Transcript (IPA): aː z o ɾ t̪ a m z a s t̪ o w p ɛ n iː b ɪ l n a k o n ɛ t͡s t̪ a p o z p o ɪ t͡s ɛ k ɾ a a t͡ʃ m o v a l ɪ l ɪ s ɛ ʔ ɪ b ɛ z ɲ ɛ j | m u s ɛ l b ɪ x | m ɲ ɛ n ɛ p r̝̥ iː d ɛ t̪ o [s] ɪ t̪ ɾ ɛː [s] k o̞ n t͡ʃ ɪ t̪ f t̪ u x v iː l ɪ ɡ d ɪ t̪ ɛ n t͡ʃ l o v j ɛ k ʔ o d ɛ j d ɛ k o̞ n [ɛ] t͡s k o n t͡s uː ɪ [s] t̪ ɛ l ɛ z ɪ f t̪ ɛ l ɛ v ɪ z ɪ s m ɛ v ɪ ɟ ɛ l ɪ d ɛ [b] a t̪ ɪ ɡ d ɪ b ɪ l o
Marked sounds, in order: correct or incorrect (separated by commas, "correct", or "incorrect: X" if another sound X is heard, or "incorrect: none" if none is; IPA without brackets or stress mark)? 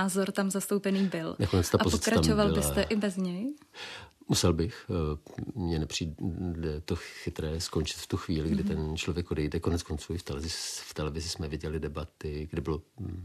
incorrect: x, correct, correct, incorrect: f, correct